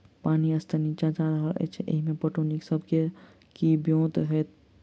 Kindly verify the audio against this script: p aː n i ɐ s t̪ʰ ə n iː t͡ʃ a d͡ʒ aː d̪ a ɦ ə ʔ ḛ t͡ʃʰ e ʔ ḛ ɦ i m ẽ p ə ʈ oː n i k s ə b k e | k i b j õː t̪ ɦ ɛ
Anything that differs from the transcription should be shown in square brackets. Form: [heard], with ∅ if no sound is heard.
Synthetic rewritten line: p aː n i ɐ s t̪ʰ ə n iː t͡ʃ a d͡ʒ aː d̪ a ɦ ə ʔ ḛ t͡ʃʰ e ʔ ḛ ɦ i m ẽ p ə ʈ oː n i k s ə b k e | k i b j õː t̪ ɦ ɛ